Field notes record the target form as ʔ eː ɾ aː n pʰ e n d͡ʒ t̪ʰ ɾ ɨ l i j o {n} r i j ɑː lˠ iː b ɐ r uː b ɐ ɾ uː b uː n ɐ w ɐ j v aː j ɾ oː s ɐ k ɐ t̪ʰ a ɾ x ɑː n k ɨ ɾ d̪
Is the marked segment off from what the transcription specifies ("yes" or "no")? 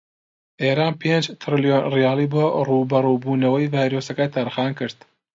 no